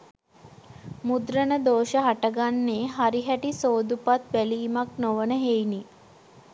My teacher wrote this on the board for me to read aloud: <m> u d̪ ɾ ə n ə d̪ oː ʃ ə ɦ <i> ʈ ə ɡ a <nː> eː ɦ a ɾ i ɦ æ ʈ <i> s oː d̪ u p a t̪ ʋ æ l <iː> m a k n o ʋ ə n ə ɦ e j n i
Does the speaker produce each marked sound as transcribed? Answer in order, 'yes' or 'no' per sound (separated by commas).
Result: yes, no, yes, yes, yes